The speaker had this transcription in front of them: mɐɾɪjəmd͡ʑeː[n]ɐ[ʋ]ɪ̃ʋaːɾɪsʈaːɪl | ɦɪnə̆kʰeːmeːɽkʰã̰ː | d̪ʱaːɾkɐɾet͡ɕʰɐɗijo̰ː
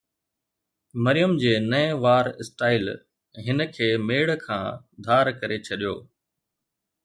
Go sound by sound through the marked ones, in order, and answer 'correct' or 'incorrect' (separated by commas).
correct, incorrect